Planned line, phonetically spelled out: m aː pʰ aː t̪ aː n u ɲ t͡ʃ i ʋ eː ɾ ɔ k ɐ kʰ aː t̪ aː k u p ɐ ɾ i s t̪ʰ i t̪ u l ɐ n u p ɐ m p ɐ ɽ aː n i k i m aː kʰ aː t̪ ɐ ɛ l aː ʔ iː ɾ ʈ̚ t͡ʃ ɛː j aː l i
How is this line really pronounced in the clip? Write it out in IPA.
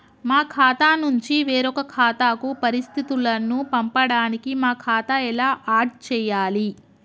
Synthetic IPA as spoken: m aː kʰ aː t̪ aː n u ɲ t͡ʃ i ʋ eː ɾ ɔ k ɐ kʰ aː t̪ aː k u p ɐ ɾ i s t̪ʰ i t̪ u l ɐ n u p ɐ m p ɐ ɽ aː n i k i m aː kʰ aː t̪ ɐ ɛ l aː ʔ aː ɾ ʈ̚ t͡ʃ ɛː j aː l i